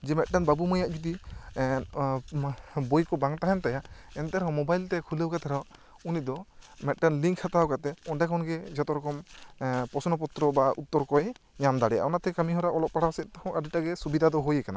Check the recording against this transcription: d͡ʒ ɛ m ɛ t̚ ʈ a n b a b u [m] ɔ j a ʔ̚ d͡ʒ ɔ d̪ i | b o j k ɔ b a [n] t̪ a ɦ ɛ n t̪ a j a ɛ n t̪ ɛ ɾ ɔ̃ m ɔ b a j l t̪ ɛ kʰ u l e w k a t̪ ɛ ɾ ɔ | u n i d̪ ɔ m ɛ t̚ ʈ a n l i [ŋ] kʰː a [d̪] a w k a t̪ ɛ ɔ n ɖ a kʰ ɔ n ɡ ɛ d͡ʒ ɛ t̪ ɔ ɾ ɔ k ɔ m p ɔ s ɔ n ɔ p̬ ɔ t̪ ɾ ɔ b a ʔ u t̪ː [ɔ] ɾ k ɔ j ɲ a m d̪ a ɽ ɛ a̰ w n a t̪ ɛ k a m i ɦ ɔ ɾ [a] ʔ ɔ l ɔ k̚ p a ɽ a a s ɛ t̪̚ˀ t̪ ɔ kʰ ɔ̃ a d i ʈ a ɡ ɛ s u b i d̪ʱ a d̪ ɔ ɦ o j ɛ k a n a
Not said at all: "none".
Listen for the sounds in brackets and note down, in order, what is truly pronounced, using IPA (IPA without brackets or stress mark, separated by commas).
m, ŋ, ŋ, t̪, ɔ, a